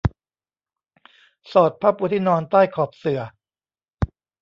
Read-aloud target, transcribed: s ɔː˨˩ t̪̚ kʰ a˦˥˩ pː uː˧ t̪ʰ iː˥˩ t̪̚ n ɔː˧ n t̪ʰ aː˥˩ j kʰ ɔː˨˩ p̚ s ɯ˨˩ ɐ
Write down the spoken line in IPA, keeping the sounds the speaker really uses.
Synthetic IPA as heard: s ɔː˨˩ t̪̚ pʰ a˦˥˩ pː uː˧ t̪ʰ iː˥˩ n ɔː˧ n t̪ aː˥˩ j kʰ ɔː˨˩ p̚ s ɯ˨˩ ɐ

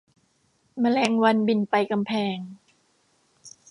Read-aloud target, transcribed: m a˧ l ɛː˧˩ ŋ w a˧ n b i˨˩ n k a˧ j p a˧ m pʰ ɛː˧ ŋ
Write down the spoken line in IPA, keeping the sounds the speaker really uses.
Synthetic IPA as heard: m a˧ l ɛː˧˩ ŋ w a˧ n b i˨˩ n p a˧ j k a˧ m pʰ ɛː˧ ŋ

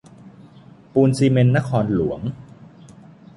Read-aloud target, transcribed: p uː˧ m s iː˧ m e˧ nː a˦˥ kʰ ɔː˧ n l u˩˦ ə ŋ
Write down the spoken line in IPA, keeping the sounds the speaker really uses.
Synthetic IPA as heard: p uː˧ n s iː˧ m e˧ nː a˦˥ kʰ ɔː˧ n l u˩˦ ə ŋ

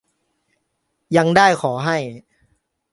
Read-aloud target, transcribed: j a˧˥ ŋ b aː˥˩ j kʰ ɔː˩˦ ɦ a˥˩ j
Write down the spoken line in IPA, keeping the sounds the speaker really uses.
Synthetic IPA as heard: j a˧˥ ŋ d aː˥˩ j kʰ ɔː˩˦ ɦ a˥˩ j

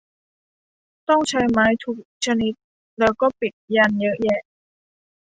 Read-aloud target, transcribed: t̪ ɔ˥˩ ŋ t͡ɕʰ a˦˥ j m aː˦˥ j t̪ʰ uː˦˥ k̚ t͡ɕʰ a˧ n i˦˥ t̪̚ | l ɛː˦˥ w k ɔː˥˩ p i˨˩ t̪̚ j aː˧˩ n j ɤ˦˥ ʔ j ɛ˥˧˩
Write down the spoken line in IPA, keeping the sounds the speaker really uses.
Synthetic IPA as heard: t̪ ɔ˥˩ ŋ t͡ɕʰ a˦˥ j m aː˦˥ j t̪ʰ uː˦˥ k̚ t͡ɕʰ a˧ n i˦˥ t̪̚ | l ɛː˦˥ w k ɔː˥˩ p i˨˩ t̪̚ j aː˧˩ n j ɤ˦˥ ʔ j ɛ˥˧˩

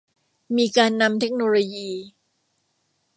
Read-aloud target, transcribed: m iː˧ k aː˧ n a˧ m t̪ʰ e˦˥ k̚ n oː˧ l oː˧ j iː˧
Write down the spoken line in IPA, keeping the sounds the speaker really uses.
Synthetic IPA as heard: m iː˧ k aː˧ nː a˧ m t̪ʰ e˦˥ k̚ n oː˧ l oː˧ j iː˧

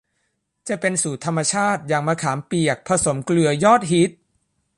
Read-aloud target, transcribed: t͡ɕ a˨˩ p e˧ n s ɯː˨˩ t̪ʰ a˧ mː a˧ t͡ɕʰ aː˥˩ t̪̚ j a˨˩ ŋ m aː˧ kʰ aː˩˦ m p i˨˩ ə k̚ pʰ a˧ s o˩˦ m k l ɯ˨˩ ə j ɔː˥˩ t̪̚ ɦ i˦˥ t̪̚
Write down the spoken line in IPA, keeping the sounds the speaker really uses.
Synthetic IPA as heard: t͡ɕ a˨˩ p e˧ n s uː˨˩ t̪ʰ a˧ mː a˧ t͡ɕʰ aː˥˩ t̪̚ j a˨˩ ŋ m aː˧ kʰ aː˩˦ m p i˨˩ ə k̚ pʰ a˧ s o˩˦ m k l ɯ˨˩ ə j ɔː˥˩ t̪̚ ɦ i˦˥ t̪̚

